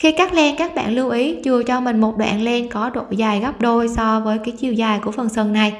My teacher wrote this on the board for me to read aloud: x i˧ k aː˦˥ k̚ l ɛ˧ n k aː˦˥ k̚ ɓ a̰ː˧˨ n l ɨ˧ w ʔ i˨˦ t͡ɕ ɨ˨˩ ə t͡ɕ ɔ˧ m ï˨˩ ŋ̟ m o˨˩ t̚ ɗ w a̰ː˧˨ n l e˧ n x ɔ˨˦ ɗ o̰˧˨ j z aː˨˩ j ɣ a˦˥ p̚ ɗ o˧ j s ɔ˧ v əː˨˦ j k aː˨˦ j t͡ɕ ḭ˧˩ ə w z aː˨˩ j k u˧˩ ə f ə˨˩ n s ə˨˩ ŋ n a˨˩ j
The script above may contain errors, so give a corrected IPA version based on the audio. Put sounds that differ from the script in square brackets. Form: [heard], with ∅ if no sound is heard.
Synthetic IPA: x i˧ k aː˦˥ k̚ l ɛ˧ n k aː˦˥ k̚ ɓ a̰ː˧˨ n l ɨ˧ w ʔ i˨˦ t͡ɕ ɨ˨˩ ə t͡ɕ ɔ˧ m ï˨˩ ŋ̟ m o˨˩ t̚ ɗ w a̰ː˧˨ n l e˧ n [k] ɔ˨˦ ɗ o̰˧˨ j z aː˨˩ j ɣ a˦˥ p̚ ɗ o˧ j s ɔ˧ v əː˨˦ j k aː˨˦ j t͡ɕ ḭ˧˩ ə w z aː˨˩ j k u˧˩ ə f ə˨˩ n s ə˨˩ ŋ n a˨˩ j